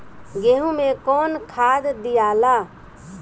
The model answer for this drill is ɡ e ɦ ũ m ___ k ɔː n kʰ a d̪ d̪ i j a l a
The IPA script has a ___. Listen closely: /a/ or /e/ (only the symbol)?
e